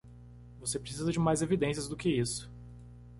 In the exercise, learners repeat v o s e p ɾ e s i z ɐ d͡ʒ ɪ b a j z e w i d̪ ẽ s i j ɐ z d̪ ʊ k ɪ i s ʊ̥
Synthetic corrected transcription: v o s e p ɾ e s i z ɐ d͡ʒ ɪ m a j z e v i d̪ ẽ s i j ɐ z d̪ ʊ k ɪ i s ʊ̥

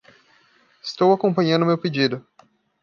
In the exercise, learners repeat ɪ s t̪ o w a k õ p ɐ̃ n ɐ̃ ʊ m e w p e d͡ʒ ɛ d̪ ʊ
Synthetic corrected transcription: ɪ s t̪ o w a k õ p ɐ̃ ɲ ɐ̃ ʊ m e w p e d͡ʒ i d̪ ʊ

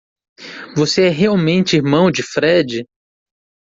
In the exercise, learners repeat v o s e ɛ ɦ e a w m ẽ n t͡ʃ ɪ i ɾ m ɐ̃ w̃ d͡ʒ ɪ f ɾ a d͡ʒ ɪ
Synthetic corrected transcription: v o s e ɛ ɦ e a w m ẽ n t͡ʃ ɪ i ɾ m ɐ̃ w̃ d͡ʒ ɪ f ɾ ɛ d͡ʒ ɪ

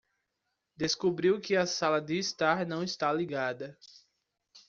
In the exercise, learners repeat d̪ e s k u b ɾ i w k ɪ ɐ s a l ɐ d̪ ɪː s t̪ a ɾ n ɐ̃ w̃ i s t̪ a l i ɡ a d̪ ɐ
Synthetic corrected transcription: d̪ e s k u b ɾ i w k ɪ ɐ s a l ɐ d̪ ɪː s t̪ a ɾ n ɐ̃ w̃ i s t̪ a l i ɡ a d̪ ɐ

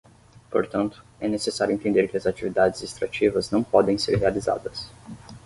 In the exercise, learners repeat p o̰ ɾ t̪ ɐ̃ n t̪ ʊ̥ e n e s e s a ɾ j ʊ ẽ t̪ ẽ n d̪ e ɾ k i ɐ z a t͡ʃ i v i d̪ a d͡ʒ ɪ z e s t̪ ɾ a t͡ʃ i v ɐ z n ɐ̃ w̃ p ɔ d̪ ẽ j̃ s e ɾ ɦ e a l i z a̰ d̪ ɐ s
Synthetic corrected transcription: p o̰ ɾ t̪ ɐ̃ n t̪ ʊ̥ ɛ n e s e s a ɾ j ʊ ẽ t̪ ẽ n d̪ e ɾ k ɪ ɐ z a t͡ʃ i v i d̪ a d͡ʒ ɪ z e s t̪ ɾ a t͡ʃ i v ɐ z n ɐ̃ w̃ p ɔ d̪ ẽ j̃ s e ɾ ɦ e a l i z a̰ d̪ ɐ s

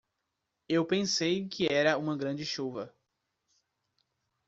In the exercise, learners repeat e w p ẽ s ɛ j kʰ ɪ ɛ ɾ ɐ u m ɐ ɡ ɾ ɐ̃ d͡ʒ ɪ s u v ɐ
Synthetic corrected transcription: e w p ẽ s e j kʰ ɪ ɛ ɾ ɐ ũ m ɐ ɡ ɾ ɐ̃ d͡ʒ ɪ ʃ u v ɐ

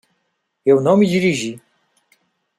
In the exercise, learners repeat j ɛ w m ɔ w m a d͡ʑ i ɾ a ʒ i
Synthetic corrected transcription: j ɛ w n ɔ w m i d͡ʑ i ɾ i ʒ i

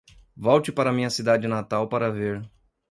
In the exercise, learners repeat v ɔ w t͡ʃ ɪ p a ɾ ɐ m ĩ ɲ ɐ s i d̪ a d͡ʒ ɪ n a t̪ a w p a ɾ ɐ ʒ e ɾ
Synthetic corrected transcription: v ɔ w t͡ʃ ɪ p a ɾ ɐ m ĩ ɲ ɐ s i d̪ a d͡ʒ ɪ n a t̪ a w p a ɾ ɐ v e ɾ

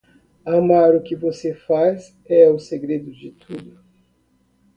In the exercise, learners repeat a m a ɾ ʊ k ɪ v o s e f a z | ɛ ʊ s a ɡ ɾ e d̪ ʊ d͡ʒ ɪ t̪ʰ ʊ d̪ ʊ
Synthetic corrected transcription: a m a ɾ ʊ k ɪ v o s e f a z | ɛ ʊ s e ɡ ɾ e d̪ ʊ d͡ʒ ɪ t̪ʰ u d̪ ʊ

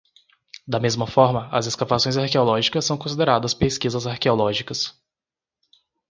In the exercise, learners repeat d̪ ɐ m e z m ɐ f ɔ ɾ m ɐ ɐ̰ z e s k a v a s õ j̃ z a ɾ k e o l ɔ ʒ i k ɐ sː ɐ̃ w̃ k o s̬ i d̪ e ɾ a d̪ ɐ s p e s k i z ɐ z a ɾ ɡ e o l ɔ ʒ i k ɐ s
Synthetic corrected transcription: d̪ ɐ m e z m ɐ f ɔ ɾ m ɐ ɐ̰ z e s k a v a s õ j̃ z a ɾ k e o l ɔ ʒ i k ɐ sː ɐ̃ w̃ k õ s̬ i d̪ e ɾ a d̪ ɐ s p e s k i z ɐ z a ɾ k e o l ɔ ʒ i k ɐ s

